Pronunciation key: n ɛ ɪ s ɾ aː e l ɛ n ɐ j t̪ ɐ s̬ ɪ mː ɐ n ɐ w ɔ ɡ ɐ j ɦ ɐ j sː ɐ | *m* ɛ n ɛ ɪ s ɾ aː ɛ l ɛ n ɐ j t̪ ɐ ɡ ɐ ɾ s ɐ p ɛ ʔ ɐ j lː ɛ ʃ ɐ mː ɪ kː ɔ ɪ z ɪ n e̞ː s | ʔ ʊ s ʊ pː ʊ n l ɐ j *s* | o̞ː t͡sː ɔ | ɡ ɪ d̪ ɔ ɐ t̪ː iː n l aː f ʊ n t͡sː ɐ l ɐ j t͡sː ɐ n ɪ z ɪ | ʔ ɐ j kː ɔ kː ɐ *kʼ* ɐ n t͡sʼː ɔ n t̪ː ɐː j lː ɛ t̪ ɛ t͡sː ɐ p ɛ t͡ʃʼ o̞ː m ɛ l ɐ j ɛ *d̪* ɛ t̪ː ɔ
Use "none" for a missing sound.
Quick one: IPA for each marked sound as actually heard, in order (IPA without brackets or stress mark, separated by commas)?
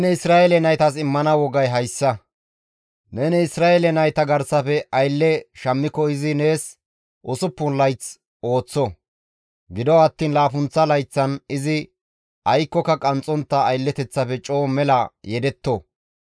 n, t͡s, kʼ, d̪